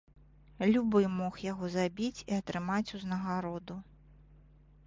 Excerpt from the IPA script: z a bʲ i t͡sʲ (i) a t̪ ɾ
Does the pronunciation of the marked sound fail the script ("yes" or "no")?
no